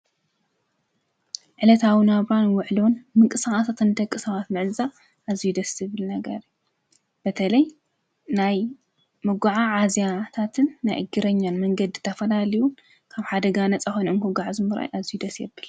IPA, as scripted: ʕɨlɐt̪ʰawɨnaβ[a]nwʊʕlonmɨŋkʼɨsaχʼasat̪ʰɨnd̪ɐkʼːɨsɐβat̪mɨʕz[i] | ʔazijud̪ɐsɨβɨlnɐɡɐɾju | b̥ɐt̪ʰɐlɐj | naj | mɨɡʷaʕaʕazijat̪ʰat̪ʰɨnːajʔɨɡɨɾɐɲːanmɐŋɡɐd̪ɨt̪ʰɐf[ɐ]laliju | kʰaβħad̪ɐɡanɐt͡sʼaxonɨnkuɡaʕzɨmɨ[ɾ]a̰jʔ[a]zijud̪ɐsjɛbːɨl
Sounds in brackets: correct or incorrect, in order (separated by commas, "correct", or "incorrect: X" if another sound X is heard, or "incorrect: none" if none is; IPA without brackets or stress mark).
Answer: correct, incorrect: a, correct, correct, correct